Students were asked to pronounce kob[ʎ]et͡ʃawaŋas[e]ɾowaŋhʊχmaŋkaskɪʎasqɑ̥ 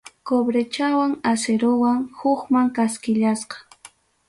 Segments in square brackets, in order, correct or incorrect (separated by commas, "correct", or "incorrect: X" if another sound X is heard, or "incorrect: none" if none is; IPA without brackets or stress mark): incorrect: ɾ, correct